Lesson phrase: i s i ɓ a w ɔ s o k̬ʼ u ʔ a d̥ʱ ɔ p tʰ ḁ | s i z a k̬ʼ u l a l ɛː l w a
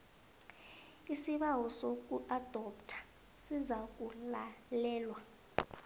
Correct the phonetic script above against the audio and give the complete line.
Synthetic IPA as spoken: i s i ɓ a w ɔ s o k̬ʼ u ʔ a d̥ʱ ɔ p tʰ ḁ | s i z a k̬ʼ u l a l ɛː l w a